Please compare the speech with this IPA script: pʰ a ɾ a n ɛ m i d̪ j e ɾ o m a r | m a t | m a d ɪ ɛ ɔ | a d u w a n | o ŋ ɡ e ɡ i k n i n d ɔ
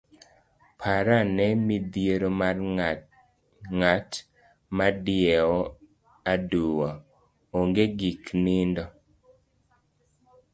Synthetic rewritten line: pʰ a ɾ a n ɛ m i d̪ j e ɾ o m a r | ŋ a t | m a d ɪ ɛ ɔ | a d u w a | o ŋ ɡ e ɡ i k n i n d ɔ